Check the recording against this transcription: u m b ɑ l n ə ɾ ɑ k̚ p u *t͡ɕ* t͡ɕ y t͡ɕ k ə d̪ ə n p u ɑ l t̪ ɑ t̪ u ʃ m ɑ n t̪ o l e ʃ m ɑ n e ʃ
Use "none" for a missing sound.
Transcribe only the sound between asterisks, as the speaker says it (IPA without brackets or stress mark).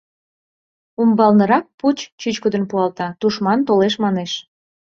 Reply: t͡ɕ